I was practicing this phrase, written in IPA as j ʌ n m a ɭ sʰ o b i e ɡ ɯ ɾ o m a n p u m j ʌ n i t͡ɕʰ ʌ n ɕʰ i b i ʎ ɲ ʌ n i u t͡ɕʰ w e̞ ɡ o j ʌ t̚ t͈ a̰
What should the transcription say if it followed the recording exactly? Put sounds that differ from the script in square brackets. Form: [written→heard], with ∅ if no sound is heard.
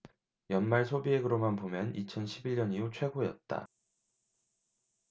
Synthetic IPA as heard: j ʌ n m a ɭ sʰ o b i e ɡ ɯ ɾ o m a n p [u→o] m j ʌ n i t͡ɕʰ ʌ n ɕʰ i b i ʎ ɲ ʌ n i u t͡ɕʰ w e̞ ɡ o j ʌ t̚ t͈ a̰